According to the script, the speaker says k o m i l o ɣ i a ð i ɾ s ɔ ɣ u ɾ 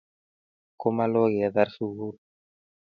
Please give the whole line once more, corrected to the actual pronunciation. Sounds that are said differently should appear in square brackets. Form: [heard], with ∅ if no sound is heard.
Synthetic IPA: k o m [a] l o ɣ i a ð [a] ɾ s [u] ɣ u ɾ